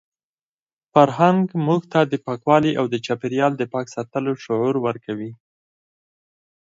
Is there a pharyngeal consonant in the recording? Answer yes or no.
yes